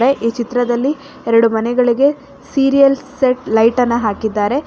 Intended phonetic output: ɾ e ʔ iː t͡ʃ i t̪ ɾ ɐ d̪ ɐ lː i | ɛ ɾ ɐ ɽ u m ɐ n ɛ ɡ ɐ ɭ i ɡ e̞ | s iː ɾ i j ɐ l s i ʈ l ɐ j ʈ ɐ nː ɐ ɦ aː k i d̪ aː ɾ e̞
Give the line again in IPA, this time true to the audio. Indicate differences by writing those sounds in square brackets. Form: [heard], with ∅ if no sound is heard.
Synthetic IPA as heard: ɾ e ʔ iː t͡ʃ i t̪ ɾ ɐ d̪ ɐ lː i | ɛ ɾ ɐ ɽ u m ɐ n ɛ ɡ ɐ ɭ i ɡ e̞ | s iː ɾ i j ɐ l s [e] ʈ l ɐ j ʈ ɐ nː ɐ ɦ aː k i [d̪ː] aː ɾ e̞